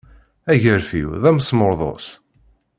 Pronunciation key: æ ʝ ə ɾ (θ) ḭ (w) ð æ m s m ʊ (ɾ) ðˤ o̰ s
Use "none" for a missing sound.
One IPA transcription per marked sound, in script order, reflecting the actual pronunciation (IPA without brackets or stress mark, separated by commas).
f, w, ɾ